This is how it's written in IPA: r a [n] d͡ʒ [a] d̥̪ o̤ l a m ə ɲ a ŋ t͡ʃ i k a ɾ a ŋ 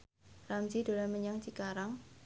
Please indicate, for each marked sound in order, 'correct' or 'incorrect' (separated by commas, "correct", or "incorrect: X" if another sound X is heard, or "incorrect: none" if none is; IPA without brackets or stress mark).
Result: incorrect: m, incorrect: i